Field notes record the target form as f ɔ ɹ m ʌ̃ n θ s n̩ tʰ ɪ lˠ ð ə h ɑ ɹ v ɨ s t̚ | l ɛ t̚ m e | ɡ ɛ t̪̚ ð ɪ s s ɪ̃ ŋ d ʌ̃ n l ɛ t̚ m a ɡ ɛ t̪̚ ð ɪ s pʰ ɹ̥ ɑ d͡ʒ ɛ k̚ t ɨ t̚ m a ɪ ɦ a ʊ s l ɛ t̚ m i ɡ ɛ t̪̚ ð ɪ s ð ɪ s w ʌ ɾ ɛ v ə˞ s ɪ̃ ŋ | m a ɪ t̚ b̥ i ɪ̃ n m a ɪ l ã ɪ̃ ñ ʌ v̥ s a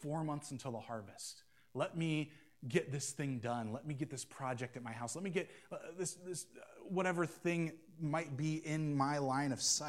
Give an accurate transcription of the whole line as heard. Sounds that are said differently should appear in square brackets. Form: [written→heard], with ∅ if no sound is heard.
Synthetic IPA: f ɔ ɹ m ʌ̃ n θ s n̩ tʰ ɪ lˠ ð ə h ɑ ɹ v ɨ s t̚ | l ɛ t̚ m [e→i] | ɡ ɛ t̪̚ ð ɪ s [s→θ] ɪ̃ ŋ d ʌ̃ n l ɛ t̚ m [a→i] ɡ ɛ t̪̚ ð ɪ s pʰ ɹ̥ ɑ d͡ʒ ɛ k̚ t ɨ t̚ m a ɪ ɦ a ʊ s l ɛ t̚ m i ɡ ɛ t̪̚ ð ɪ s ð ɪ s w ʌ ɾ ɛ v ə˞ [s→θ] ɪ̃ ŋ | m a ɪ t̚ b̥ i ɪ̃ n m a ɪ l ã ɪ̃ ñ ʌ v̥ s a